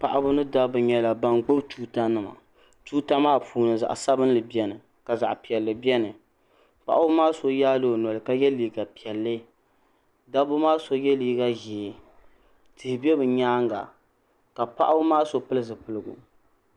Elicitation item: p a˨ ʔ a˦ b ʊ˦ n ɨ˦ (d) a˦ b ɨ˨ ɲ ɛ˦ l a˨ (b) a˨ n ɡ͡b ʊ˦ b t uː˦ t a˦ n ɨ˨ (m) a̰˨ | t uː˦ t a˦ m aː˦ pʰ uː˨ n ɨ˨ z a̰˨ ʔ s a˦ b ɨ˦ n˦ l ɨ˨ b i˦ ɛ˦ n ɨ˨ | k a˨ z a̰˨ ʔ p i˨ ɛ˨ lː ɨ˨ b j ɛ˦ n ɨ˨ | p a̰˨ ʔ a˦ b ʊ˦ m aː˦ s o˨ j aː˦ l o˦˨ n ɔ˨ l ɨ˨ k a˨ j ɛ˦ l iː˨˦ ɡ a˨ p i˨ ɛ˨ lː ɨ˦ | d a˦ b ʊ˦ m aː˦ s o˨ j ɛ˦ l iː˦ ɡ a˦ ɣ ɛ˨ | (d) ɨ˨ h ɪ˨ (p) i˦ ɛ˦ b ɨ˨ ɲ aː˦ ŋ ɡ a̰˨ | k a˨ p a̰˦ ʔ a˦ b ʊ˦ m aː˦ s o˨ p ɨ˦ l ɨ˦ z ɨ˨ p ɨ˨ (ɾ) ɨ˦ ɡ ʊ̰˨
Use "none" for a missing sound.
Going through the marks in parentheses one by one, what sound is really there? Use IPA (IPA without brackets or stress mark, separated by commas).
d, b, m, t, b, l